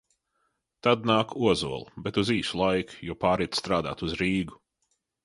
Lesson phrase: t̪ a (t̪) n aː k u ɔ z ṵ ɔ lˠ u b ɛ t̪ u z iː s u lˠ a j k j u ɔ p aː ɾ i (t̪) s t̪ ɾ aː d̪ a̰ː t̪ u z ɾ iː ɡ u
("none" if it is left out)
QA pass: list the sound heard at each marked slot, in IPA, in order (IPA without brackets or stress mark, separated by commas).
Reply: d̪, t̪